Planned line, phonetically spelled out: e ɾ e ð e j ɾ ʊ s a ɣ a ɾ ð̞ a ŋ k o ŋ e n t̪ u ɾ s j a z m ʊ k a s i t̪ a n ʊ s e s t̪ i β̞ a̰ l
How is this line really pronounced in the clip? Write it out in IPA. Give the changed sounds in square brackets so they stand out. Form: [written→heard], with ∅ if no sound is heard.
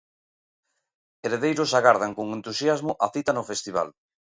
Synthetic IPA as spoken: e ɾ e ð e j ɾ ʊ s a ɣ a ɾ ð̞ a ŋ k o ŋ e n t̪ u [ɾ→∅] s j a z m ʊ [k→ʔ] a [s→θ] i t̪ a n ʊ [s→f] e s t̪ i β̞ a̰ l